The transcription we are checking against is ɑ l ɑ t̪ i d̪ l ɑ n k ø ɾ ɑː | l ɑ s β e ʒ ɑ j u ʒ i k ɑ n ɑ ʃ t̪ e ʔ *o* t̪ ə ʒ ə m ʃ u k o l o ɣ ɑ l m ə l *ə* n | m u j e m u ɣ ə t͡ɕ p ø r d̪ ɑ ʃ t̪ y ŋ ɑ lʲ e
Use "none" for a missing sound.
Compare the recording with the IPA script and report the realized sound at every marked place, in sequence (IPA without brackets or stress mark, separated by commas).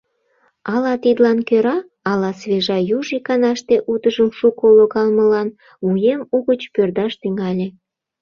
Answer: u, ɑ